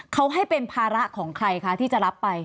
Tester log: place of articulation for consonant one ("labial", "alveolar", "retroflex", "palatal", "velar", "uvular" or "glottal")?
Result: velar